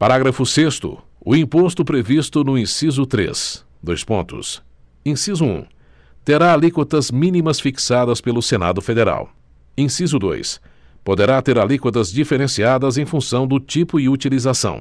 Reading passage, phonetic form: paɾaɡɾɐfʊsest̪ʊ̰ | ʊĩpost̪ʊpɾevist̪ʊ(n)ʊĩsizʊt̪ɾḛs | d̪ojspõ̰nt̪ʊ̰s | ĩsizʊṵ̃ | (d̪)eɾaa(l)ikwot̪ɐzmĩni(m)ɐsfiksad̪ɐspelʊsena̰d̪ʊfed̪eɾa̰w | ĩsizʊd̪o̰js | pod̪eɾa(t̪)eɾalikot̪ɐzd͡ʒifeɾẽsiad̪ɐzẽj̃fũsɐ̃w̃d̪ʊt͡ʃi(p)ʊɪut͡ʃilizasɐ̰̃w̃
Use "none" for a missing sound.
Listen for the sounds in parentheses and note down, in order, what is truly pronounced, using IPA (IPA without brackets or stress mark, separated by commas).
n, t̪, l, m, t̪, p